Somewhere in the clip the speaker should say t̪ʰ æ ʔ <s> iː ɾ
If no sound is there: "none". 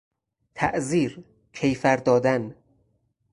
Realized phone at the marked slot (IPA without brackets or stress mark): z